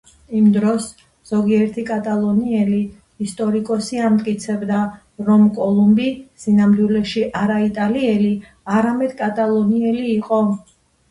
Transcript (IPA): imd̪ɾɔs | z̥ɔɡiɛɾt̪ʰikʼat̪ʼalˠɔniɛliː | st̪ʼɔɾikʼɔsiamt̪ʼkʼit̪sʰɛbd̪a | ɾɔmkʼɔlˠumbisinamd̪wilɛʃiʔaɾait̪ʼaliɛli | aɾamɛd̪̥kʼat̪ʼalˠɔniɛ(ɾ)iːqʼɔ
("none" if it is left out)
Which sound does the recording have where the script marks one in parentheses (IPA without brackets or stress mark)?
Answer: l